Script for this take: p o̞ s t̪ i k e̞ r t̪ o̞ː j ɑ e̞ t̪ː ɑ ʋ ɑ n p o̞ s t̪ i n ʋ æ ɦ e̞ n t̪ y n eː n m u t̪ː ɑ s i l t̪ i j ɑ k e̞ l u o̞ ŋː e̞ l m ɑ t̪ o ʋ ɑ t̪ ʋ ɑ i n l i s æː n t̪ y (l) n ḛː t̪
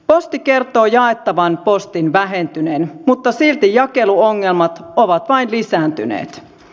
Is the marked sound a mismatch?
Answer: yes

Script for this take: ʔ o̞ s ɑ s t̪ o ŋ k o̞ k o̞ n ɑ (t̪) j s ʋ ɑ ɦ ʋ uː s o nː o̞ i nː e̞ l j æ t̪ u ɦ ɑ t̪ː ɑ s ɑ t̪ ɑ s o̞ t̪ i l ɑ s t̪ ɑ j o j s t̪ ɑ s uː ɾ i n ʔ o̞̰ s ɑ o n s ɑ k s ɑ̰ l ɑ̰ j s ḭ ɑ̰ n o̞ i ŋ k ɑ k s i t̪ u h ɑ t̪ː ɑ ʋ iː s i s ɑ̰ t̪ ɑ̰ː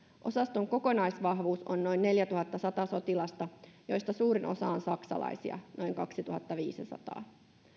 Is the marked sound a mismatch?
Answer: yes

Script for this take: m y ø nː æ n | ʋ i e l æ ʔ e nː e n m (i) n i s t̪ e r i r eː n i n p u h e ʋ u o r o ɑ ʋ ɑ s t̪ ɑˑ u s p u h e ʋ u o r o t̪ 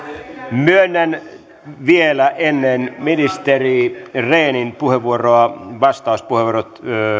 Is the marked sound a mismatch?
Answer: no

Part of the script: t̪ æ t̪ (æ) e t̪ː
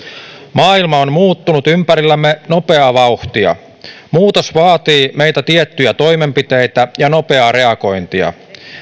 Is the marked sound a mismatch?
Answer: yes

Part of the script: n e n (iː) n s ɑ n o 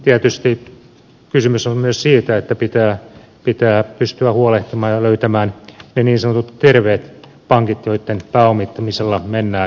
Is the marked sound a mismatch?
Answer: no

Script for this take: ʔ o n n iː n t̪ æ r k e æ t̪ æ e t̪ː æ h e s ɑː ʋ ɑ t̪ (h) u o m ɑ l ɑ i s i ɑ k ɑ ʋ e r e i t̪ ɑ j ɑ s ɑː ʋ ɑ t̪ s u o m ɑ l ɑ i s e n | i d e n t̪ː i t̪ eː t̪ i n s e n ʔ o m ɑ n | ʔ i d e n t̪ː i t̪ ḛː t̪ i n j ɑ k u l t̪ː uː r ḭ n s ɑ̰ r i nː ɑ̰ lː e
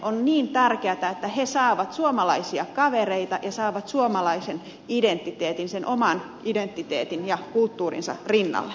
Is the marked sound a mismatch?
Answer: yes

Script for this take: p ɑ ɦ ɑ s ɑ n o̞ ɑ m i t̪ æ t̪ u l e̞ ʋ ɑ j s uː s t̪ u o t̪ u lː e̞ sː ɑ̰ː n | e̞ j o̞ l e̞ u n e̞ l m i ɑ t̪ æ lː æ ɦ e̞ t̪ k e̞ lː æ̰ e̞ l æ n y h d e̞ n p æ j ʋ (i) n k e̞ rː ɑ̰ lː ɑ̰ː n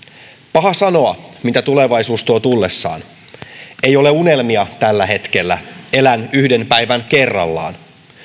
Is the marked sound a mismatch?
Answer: yes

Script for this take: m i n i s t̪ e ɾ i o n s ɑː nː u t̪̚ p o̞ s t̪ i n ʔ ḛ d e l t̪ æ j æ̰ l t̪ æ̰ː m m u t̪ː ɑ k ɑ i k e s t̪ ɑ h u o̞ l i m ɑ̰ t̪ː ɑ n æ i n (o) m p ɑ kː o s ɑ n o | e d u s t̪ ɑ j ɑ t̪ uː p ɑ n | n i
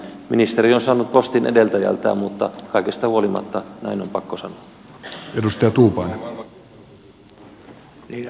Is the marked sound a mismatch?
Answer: no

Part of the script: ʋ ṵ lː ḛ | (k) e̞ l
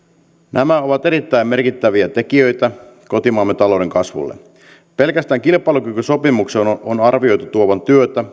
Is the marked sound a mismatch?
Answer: yes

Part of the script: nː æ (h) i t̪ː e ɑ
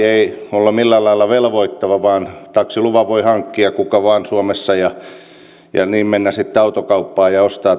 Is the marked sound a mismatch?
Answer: yes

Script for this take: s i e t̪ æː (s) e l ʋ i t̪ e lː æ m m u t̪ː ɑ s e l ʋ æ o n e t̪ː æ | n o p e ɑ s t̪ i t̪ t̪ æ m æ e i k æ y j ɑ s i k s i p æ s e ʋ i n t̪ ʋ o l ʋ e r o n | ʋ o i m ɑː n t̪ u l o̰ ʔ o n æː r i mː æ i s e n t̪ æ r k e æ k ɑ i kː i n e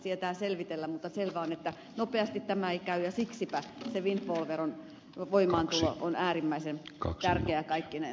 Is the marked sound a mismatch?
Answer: no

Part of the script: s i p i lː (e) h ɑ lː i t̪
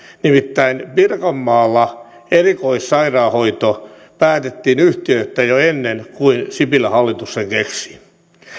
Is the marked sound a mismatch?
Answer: yes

